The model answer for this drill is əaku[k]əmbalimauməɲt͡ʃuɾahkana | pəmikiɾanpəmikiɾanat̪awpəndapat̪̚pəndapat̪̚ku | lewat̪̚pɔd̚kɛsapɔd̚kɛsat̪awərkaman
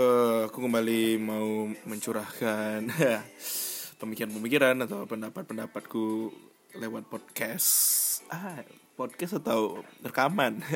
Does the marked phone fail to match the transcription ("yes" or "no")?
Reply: no